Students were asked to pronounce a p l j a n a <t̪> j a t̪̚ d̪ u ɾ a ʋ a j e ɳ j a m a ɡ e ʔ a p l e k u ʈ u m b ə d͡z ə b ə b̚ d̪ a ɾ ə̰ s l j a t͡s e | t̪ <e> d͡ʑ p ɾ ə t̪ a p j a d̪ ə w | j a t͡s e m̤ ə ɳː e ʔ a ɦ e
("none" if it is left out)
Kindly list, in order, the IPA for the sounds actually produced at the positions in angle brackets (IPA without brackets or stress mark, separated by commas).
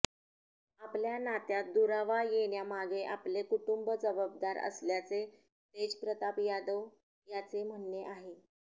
t̪, e